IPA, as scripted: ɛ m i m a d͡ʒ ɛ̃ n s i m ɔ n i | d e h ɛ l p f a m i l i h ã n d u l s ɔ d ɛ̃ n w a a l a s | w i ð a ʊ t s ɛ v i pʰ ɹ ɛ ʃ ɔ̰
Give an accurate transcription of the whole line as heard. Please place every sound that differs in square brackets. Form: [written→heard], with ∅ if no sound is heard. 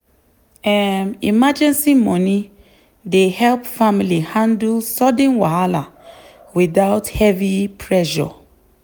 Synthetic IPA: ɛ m i m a d͡ʒ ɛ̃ n s i m ɔ n i | d e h ɛ l p f a m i l i h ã n d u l s ɔ d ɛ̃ n w a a l a [s→∅] | w i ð a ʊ t [s→h] ɛ v i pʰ ɹ ɛ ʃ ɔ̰